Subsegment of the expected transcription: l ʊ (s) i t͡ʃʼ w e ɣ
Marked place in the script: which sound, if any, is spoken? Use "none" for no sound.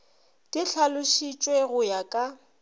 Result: ʃ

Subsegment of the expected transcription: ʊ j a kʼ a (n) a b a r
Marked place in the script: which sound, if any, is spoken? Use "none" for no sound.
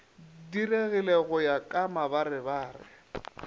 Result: m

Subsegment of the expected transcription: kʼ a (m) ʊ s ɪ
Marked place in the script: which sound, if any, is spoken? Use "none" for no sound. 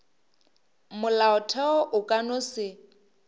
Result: n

